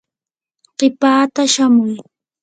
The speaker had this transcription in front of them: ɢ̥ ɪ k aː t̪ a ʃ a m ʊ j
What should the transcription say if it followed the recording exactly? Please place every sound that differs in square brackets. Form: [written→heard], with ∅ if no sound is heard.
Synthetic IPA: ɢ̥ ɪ [k→p] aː t̪ a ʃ a m ʊ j

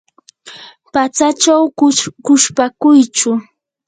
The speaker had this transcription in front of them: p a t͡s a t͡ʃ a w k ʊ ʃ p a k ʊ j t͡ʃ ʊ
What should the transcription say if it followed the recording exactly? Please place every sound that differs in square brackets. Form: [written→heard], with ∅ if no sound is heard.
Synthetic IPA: p a t͡s a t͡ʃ a w k ʊ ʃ p a k ʊ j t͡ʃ ʊ

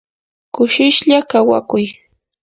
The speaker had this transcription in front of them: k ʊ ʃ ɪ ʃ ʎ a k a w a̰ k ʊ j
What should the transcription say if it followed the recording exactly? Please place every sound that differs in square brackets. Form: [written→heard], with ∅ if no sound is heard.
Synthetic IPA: k ʊ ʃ ɪ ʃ ʎ a k a w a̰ k ʊ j

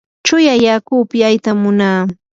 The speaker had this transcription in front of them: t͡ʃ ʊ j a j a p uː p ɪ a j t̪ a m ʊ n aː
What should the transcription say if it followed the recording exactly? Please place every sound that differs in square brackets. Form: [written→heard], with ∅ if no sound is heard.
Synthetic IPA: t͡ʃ ʊ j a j a [p→k] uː p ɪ a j t̪ a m ʊ n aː

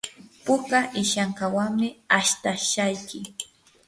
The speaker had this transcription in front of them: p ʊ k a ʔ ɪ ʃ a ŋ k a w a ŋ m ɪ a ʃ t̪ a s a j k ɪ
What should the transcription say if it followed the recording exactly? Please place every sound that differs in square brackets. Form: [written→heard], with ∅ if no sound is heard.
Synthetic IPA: p ʊ k a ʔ ɪ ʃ a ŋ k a w a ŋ m ɪ a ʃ t̪ a [s→ʃ] a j k ɪ

